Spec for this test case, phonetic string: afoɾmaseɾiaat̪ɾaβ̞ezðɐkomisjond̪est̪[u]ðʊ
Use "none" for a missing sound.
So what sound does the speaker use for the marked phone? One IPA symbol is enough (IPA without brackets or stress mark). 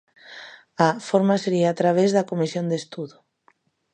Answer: u